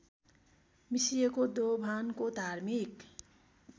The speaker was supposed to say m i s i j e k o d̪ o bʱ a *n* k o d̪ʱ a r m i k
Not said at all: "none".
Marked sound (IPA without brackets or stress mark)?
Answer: n